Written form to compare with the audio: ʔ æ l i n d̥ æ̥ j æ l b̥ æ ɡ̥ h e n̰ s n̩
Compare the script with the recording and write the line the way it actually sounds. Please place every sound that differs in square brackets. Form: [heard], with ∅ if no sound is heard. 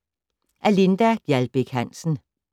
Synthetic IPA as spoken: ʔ æ l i n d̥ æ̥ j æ l b̥ [e] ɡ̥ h [æ] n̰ s n̩